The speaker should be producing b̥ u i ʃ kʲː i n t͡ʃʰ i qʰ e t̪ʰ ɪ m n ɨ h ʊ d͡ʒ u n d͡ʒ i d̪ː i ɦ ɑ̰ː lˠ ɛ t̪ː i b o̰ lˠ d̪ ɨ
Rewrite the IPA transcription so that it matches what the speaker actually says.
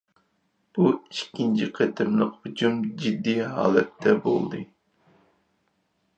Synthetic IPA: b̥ u i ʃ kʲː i n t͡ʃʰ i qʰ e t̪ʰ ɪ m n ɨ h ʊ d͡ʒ u m d͡ʒ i d̪ː i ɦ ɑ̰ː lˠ ɛ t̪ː ɛ b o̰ lˠ d̪ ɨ